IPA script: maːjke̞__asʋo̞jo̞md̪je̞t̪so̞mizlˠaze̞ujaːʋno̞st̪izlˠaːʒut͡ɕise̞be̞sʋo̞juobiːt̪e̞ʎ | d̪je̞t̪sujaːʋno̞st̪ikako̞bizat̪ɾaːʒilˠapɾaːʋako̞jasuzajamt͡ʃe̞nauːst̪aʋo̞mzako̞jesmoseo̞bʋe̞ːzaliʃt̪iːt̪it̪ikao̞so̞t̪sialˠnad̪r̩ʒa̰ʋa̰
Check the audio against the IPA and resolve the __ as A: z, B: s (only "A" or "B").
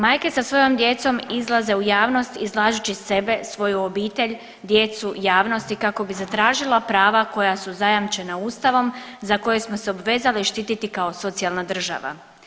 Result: B